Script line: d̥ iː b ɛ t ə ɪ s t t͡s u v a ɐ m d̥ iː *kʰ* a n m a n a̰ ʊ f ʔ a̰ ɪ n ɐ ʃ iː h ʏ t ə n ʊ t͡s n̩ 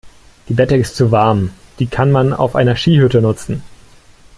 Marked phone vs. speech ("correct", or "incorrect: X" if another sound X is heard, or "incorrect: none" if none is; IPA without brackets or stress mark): correct